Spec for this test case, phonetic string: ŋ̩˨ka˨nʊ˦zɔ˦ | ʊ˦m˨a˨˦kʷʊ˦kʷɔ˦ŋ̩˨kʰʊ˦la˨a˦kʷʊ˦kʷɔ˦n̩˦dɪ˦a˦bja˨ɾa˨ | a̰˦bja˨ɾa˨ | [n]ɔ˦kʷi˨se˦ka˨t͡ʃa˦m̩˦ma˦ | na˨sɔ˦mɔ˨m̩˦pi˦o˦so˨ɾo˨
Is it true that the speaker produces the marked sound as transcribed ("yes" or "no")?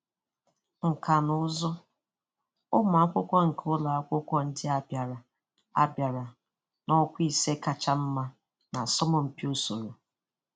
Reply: yes